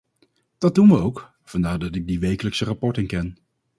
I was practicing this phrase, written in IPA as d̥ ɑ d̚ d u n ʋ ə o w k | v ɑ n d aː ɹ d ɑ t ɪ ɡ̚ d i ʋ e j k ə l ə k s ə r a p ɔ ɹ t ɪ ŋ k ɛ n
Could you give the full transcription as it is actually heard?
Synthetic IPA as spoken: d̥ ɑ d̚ d u n ʋ ə o w k | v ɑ n d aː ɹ d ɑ t ɪ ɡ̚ d i ʋ e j k ə l ə k s ə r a p ɔ ɹ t ɪ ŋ k ɛ n